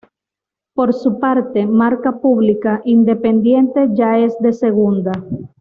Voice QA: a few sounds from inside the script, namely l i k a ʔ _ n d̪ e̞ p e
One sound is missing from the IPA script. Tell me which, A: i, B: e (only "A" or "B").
A